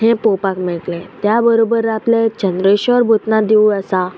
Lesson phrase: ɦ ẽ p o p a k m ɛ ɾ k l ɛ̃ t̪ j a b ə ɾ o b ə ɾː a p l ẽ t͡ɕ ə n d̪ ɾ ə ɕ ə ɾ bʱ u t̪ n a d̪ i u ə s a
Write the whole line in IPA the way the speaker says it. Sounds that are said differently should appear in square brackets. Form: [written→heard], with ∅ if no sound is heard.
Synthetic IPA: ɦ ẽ p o p a k m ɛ [ɾ→ɭ] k l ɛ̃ t̪ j a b ə ɾ o b ə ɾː a p l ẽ t͡ɕ ə n d̪ ɾ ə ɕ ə ɾ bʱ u t̪ n a d̪ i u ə s a